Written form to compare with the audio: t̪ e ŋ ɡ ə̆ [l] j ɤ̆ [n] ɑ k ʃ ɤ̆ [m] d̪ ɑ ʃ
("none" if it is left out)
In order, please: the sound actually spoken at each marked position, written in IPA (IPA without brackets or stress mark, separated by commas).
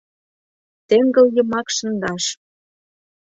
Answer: l, m, n